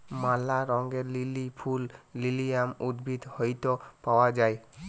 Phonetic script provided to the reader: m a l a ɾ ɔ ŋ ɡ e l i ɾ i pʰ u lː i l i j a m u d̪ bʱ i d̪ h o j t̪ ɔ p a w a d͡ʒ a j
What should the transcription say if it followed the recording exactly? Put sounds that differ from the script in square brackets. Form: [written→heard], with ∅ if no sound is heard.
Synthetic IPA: m a l a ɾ ɔ ŋ ɡ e l i [ɾ→l] i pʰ u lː i l i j a m u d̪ bʱ i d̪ h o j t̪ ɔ p a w a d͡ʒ a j